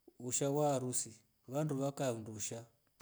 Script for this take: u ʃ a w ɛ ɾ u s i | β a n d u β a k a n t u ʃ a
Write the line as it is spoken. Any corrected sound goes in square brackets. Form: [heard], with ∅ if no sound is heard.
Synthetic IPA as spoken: u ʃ a w [a] ɾ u s i | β a n d u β a k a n [d] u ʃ a